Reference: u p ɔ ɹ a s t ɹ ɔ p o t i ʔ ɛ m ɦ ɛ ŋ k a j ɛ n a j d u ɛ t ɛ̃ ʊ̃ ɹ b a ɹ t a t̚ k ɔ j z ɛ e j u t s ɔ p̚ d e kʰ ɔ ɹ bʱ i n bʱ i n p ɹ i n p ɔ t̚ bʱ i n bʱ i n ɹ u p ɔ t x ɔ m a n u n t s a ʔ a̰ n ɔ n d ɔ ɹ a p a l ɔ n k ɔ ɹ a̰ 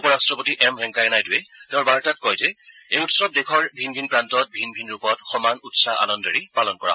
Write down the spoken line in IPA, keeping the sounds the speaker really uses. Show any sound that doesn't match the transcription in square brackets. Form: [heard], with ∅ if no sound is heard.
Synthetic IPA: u p ɔ ɹ a s t ɹ ɔ p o t i ʔ ɛ m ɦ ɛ ŋ k a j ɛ n a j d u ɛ t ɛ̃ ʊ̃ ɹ b a ɹ t a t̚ k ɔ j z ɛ e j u t s ɔ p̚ d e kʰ ɔ ɹ bʱ i n bʱ i n p ɹ [a] n [t] ɔ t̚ bʱ i n bʱ i n ɹ u p ɔ t x ɔ m a n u [∅] t s a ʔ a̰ n ɔ n d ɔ ɹ [i] p a l ɔ n k ɔ ɹ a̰